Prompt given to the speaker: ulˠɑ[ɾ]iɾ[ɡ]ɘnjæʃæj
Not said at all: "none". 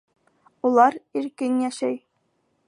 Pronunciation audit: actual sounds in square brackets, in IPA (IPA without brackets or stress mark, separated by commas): ɾ, k